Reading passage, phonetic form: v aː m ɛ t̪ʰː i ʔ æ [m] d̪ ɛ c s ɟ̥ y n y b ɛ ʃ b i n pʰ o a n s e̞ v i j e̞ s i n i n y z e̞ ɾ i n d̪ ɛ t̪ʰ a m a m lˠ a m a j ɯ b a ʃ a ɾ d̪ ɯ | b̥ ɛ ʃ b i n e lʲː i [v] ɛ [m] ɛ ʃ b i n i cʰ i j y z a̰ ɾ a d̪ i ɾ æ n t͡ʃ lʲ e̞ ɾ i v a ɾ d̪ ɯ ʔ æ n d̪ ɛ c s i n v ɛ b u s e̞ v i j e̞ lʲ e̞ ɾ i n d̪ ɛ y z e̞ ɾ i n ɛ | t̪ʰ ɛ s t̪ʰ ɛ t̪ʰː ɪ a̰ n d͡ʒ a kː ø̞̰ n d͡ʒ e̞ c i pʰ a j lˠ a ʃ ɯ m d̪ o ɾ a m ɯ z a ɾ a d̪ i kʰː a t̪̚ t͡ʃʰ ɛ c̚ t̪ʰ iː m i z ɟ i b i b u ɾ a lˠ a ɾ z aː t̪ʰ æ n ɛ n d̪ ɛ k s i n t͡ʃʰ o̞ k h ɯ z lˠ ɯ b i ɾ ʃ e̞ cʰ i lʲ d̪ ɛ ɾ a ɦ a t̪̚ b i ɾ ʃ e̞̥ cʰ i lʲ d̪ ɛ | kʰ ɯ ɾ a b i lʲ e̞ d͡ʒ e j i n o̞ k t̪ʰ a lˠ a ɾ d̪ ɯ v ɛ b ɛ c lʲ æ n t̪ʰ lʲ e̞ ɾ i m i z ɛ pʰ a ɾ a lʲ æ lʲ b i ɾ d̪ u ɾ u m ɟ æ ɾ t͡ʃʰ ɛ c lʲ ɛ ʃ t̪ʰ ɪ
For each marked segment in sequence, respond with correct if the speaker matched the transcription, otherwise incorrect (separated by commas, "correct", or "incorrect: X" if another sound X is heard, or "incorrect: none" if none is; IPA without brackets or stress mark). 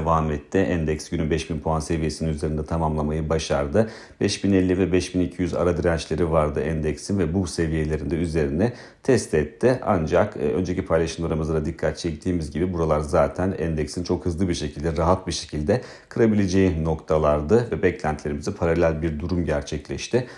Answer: incorrect: n, correct, incorrect: b